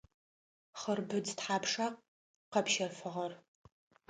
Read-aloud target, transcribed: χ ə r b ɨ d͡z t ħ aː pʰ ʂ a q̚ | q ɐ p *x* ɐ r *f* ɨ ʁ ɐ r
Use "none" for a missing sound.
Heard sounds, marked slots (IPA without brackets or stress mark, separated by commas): ʃ, f